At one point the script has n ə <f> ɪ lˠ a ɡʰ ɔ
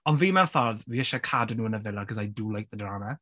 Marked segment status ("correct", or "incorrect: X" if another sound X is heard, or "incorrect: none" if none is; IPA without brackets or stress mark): incorrect: v